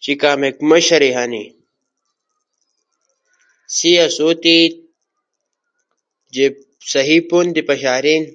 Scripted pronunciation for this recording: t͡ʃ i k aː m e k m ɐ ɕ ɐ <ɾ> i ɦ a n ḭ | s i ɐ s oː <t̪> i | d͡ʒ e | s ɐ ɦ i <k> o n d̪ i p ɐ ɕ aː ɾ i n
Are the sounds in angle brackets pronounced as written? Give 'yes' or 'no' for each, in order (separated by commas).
yes, yes, no